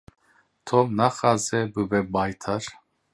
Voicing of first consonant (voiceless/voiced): voiceless